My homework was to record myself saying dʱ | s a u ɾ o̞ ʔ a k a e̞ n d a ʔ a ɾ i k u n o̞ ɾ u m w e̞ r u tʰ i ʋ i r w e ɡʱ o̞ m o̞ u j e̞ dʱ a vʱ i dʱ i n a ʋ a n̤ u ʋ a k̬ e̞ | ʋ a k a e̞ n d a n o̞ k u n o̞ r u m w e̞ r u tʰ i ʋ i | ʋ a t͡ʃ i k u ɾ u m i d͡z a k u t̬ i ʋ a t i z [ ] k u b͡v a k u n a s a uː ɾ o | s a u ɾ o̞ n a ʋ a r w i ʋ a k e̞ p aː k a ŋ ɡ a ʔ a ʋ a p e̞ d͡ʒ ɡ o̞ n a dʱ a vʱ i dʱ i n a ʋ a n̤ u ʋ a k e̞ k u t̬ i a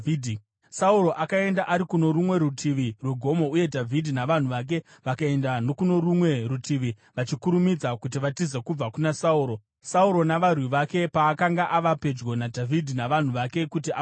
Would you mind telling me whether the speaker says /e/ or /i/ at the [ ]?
e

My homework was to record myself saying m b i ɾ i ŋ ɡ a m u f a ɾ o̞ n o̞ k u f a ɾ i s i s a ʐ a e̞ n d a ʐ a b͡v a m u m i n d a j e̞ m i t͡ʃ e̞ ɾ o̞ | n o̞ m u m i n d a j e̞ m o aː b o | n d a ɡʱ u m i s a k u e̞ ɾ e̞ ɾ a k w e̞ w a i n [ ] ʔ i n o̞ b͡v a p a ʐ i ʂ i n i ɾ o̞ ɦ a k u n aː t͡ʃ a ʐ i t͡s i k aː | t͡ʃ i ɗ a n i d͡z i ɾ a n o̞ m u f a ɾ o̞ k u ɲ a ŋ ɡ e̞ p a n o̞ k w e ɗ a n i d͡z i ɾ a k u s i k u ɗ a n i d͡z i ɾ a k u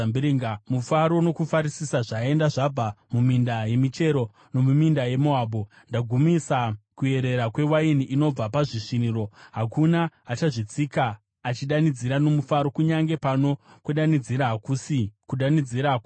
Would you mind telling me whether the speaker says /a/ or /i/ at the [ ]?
i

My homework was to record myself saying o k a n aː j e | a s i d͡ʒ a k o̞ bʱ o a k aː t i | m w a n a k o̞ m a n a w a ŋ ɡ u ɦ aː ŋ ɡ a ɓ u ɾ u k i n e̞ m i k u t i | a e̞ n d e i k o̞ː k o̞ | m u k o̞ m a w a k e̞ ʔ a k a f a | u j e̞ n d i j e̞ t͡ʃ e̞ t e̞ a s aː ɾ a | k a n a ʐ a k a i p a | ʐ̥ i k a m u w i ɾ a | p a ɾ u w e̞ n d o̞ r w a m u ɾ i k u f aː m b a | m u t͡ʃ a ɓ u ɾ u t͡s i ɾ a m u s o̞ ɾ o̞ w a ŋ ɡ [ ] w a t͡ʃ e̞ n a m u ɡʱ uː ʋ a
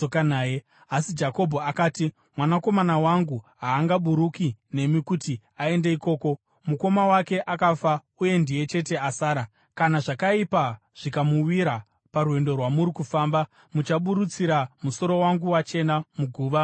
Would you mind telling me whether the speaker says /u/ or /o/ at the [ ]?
u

